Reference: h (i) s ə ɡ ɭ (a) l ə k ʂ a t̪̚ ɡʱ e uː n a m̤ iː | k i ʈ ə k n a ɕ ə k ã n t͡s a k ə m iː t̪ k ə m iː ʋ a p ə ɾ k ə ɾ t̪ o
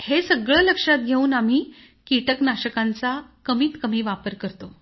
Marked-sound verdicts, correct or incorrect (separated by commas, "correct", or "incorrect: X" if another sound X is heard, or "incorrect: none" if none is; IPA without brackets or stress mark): incorrect: e, incorrect: ə